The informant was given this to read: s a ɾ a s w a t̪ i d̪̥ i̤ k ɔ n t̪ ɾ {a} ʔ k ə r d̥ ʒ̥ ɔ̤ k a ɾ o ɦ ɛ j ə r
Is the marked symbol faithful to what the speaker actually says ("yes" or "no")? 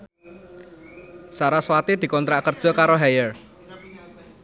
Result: yes